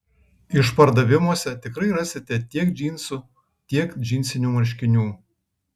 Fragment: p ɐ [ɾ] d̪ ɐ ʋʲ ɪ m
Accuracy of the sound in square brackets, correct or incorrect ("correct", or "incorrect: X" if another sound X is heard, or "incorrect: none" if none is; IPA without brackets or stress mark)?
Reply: correct